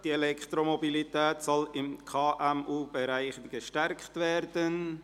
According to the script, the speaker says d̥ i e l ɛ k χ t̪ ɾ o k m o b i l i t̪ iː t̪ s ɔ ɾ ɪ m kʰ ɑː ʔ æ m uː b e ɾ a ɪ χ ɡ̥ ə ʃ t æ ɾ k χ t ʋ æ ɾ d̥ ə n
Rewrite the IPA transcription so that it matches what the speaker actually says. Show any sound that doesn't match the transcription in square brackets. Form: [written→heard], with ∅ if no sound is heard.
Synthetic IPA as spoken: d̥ i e l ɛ k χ t̪ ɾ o [k→∅] m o b i l i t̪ [iː→ɛː] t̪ s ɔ [ɾ→l] ɪ m kʰ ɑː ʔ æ m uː b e ɾ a ɪ χ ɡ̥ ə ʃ t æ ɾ k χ t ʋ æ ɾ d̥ ə n

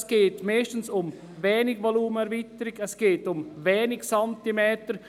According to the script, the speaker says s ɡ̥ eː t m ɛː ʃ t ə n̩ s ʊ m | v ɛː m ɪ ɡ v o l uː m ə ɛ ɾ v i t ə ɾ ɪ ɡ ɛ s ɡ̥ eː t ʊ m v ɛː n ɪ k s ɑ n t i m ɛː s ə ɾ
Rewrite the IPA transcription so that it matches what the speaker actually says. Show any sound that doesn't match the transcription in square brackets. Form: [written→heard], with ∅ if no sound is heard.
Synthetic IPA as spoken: s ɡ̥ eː t m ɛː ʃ t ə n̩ s ʊ m | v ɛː [m→n] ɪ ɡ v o l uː m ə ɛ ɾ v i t ə ɾ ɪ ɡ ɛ s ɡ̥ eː t ʊ m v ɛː n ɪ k s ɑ n t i m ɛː [s→t] ə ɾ

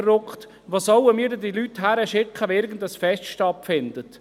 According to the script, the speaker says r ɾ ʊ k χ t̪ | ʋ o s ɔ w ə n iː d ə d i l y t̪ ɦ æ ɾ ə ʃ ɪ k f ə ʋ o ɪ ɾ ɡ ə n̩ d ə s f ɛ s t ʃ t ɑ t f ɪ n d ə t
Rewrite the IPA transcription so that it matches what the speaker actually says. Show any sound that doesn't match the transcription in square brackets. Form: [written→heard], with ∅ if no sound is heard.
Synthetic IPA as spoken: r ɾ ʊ k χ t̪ | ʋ o s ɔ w ə [n→m] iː d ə d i l y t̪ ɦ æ ɾ ə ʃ ɪ k [f→χ] ə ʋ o ɪ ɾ ɡ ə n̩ d ə s f ɛ s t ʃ t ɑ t f ɪ n d ə t

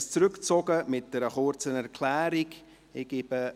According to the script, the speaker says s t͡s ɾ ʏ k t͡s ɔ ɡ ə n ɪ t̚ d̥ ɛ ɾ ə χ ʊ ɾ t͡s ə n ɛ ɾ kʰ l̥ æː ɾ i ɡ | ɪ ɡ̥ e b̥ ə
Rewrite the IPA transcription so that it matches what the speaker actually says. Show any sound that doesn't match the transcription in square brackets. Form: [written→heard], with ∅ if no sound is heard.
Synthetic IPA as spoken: s t͡s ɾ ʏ k t͡s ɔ ɡ ə [n→m] ɪ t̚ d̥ ɛ ɾ ə χ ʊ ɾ t͡s ə n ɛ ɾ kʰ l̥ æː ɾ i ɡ | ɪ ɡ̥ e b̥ ə

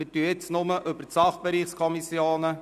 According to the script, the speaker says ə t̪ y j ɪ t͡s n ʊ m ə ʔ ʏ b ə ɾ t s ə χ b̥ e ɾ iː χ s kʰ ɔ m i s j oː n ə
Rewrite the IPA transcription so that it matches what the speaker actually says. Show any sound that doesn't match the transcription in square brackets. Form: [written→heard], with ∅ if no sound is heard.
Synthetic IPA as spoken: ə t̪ y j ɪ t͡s n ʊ m ə ʔ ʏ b ə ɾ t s [ə→ɑ] χ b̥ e ɾ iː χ s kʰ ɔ m i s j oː n ə

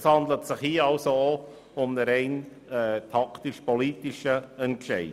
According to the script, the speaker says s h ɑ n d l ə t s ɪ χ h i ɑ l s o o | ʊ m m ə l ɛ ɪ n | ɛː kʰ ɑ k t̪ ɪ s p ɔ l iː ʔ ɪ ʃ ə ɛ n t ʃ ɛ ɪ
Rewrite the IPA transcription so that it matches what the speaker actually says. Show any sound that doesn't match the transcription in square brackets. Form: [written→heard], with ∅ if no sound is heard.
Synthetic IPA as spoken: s h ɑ n d l ə t s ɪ χ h i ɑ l s o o | ʊ m [m→n] ə [l→ɾ] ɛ ɪ n | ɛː [kʰ→tʰ] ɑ k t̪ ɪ [s→ʃ] p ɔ l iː [ʔ→t] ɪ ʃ ə ɛ n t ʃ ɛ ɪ

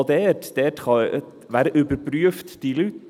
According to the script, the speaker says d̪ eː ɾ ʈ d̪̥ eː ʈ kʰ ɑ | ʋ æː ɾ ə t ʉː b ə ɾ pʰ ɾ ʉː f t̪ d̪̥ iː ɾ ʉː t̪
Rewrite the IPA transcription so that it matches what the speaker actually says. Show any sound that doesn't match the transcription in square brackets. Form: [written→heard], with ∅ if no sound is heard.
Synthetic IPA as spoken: d̪ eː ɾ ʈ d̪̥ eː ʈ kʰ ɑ | ʋ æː ɾ ə [t→ʔ] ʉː b ə ɾ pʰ ɾ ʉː f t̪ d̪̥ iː [ɾ→l] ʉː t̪

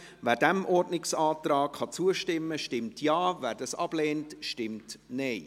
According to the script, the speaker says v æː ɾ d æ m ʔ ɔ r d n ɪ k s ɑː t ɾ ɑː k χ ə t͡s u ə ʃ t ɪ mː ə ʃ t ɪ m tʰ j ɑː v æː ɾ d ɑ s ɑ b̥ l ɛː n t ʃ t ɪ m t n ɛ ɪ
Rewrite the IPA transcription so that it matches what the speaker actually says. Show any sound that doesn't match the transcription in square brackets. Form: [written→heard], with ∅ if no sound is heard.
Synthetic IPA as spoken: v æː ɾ d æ m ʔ ɔ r d n ɪ k s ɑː t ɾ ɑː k χ [ə→ɑ] t͡s u ə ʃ t ɪ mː ə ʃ t ɪ m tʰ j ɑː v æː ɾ d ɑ s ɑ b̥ l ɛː n t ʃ t ɪ m t n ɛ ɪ

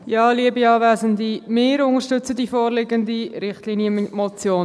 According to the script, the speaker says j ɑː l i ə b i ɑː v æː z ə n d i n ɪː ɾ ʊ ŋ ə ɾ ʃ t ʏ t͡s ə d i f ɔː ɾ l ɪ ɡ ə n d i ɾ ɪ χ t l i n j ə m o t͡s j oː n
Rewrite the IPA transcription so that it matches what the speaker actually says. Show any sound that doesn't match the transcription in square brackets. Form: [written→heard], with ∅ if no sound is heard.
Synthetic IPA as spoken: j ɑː l i ə b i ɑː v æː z ə n d i [n→m] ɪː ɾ ʊ ŋ ə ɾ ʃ t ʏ t͡s ə d i f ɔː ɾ l ɪ ɡ ə n d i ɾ ɪ χ t l i n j ə m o t͡s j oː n

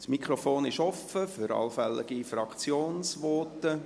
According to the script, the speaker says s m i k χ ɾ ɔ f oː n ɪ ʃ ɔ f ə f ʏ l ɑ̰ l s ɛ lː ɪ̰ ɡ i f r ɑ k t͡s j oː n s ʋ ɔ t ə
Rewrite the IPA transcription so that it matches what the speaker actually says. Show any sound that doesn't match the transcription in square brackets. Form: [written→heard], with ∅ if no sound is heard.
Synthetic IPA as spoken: s m i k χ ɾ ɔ f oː n ɪ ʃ ɔ f ə f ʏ [l→ɾ] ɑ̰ l [s→f] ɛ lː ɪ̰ ɡ i f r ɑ k t͡s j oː n s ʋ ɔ t ə

